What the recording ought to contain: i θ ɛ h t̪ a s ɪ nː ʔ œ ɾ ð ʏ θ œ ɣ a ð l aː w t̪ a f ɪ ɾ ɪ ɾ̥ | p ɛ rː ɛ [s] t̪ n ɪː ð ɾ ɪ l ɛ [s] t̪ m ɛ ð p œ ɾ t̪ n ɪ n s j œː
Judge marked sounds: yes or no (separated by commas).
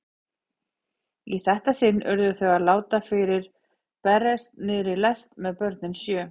yes, yes